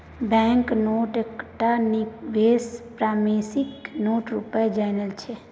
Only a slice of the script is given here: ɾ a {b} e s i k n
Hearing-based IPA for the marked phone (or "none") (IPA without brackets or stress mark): m